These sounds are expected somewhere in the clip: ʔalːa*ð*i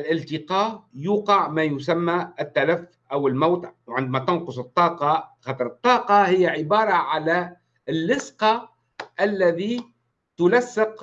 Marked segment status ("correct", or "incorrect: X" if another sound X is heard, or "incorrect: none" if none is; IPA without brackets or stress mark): correct